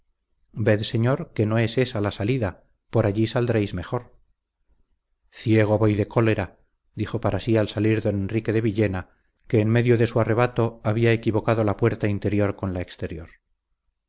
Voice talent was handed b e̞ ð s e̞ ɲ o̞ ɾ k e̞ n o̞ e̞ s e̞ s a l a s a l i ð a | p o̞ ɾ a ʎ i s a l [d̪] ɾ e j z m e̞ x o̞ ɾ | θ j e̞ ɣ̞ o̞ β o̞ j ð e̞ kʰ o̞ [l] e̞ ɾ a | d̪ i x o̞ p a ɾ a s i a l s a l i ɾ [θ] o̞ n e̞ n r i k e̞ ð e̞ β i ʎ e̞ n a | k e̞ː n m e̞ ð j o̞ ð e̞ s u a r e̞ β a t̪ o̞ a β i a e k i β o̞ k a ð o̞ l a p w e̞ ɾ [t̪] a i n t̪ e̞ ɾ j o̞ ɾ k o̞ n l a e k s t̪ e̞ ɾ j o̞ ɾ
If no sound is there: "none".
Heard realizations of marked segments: d̪, l, ð, t̪

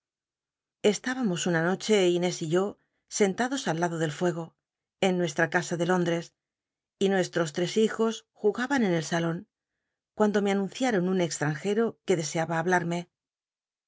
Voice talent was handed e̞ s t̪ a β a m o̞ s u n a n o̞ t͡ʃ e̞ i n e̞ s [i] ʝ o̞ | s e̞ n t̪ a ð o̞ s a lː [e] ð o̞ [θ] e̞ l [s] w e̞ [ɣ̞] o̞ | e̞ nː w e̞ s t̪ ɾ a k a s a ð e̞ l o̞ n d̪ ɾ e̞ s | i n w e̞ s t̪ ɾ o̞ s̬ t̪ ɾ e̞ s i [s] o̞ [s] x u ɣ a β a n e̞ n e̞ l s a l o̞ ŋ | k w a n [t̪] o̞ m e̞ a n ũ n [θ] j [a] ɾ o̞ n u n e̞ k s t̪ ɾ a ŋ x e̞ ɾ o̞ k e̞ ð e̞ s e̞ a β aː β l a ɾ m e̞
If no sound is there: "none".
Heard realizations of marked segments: i, a, ð, f, ɣ̞, x, s, d̪, θ, a

